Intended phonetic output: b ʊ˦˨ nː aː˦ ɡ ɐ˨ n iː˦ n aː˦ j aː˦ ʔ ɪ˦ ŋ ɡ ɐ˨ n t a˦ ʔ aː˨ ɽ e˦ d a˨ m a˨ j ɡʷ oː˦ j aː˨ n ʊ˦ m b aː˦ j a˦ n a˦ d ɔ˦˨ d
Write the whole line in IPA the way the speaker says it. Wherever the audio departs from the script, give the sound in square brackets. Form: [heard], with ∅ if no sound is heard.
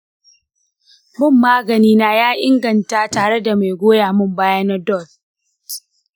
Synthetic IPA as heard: b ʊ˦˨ [mː] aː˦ ɡ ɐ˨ n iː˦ n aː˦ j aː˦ ʔ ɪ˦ ŋ ɡ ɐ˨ n t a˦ [t] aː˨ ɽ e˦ d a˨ m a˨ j ɡʷ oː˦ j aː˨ [m] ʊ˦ m b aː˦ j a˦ n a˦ d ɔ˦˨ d